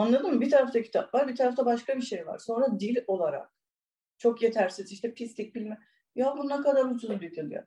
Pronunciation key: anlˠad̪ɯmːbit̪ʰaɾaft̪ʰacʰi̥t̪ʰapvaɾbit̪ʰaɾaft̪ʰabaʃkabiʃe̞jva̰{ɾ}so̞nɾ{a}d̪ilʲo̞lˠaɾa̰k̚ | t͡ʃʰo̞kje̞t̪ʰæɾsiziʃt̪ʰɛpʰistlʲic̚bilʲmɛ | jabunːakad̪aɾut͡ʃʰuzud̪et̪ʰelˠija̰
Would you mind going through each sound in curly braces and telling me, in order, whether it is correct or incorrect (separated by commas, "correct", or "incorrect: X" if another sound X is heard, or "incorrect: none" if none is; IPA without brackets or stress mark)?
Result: correct, correct